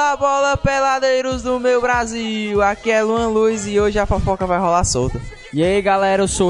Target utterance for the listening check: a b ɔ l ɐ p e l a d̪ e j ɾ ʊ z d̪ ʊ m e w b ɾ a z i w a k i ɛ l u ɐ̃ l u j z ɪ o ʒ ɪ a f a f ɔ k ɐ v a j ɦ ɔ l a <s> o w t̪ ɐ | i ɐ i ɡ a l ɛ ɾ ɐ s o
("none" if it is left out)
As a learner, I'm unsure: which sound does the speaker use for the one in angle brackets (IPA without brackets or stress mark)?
s